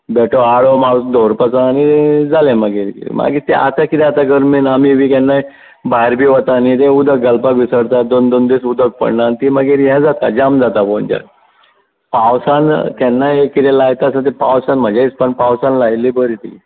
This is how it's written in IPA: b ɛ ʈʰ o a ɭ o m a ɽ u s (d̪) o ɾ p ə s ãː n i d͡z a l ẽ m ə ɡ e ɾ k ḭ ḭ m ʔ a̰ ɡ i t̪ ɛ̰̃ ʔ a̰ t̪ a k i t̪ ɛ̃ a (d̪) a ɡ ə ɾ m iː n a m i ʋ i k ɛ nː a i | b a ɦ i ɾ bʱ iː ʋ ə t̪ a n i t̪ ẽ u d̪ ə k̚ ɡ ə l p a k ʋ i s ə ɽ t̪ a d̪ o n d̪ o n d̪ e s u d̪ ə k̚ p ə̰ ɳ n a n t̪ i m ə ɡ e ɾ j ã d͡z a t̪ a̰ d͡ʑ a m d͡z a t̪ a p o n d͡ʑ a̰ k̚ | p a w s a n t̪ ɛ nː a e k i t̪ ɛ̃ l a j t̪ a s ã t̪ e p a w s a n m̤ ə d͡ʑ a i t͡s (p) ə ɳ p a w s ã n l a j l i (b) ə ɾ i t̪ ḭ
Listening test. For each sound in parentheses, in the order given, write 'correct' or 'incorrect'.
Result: correct, incorrect: t̪, correct, correct

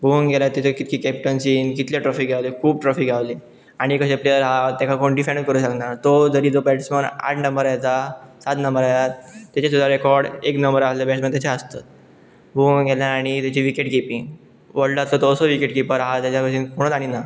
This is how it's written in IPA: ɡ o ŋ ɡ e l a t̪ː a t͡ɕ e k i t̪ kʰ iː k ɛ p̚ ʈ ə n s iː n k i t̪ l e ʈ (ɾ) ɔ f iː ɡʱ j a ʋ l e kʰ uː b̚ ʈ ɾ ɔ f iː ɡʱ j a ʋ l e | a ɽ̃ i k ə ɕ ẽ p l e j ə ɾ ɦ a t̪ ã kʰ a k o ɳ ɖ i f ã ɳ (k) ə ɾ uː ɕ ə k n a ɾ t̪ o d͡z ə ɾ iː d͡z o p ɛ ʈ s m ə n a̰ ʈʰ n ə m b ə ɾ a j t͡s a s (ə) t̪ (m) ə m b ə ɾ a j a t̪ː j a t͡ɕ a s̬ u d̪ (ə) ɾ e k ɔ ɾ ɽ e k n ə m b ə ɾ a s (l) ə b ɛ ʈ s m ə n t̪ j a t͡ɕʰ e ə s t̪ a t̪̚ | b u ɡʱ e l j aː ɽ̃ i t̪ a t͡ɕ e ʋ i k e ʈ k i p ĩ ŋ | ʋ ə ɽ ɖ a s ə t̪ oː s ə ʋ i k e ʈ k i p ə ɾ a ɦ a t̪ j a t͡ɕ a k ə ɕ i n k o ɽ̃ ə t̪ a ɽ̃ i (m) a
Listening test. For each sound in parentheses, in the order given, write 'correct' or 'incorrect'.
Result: correct, correct, incorrect: a, incorrect: n, incorrect: a, correct, incorrect: n

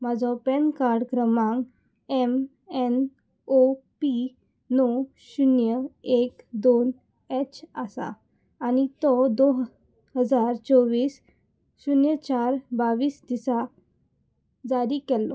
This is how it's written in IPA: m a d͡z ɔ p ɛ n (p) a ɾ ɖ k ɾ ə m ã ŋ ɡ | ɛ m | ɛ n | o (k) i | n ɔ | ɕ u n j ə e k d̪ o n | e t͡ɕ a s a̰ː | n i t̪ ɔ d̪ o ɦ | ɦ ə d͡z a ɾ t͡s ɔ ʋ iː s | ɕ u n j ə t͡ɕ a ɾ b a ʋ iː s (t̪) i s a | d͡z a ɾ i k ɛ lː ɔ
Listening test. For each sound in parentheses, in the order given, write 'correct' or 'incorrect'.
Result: incorrect: k, incorrect: p, incorrect: d̪

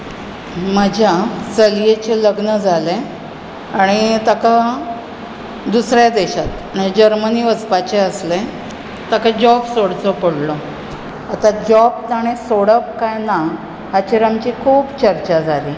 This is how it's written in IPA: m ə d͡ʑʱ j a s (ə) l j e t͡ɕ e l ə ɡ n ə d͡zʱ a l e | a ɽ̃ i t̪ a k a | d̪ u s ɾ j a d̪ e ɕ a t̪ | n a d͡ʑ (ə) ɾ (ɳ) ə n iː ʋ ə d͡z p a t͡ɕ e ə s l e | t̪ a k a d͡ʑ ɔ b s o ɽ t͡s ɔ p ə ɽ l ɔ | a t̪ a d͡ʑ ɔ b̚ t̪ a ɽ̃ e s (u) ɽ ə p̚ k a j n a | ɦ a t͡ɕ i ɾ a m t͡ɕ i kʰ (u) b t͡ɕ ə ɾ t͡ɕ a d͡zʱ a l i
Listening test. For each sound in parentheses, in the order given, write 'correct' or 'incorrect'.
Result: correct, correct, incorrect: m, incorrect: o, incorrect: uː

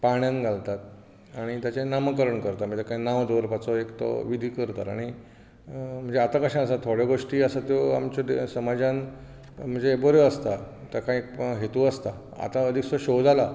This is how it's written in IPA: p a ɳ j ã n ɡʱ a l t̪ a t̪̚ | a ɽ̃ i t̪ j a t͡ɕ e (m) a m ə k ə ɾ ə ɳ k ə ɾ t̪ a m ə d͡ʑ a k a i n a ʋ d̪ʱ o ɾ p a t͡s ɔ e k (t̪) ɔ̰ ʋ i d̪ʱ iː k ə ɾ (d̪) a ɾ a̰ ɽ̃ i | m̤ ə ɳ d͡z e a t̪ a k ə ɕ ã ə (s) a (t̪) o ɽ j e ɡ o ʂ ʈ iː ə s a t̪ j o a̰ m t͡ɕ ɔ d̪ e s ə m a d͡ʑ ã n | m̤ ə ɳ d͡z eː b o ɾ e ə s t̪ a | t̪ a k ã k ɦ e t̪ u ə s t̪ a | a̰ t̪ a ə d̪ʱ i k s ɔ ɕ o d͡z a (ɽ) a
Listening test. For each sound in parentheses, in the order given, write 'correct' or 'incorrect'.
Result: incorrect: n, correct, incorrect: t̪, correct, incorrect: t̪ʰ, incorrect: l

